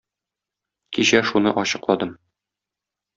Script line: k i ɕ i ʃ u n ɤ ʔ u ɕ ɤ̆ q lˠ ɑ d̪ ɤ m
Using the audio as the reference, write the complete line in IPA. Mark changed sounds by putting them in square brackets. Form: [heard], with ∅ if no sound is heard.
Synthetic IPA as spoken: k i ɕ [æ] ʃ u n ɤ ʔ [ɒ] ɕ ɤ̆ q lˠ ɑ d̪ ɤ m